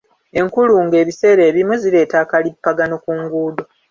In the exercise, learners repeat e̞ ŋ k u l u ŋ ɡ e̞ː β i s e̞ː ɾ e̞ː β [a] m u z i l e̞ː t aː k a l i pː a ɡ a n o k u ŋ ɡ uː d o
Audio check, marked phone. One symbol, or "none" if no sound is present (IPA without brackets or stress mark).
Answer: i